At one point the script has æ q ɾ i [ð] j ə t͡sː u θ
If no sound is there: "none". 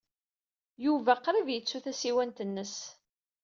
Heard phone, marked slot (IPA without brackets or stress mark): v